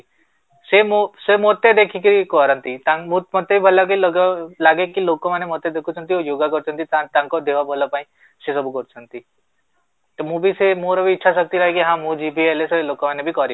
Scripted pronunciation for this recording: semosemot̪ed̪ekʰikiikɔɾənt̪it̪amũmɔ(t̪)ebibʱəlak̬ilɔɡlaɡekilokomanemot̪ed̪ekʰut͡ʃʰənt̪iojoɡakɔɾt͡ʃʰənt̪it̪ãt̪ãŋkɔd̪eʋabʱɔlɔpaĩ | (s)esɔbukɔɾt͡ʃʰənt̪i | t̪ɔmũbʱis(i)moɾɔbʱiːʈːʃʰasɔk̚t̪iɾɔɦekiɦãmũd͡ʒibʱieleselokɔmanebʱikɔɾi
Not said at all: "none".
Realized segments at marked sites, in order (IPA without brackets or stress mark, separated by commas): t̪, s, e